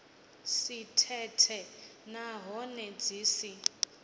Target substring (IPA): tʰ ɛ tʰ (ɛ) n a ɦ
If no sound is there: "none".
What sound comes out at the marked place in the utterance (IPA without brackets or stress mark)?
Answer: ɛ